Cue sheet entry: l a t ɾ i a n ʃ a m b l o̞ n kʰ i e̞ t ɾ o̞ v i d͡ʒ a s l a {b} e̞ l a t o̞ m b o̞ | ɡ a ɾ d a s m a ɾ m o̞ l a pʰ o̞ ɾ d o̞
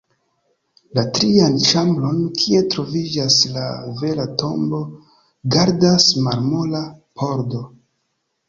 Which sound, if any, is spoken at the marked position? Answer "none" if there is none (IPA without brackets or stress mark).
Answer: v